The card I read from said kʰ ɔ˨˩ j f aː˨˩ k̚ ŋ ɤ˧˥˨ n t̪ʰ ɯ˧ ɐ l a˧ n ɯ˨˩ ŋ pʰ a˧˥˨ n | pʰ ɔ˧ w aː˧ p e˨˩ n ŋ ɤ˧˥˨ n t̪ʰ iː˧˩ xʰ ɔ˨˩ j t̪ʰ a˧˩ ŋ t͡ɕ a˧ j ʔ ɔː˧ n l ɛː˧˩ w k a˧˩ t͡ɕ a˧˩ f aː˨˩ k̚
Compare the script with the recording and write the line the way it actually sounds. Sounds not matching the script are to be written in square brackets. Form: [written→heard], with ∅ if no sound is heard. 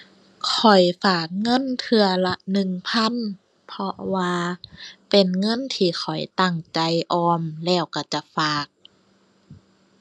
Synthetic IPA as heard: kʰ ɔ˨˩ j f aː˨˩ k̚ ŋ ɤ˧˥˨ n t̪ʰ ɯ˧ ɐ l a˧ n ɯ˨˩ ŋ pʰ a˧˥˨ n | pʰ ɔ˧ w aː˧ p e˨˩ n ŋ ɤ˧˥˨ n t̪ʰ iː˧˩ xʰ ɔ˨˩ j [t̪ʰ→t̪] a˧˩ ŋ t͡ɕ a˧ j ʔ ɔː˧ [n→m] l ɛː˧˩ w k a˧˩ t͡ɕ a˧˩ f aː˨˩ k̚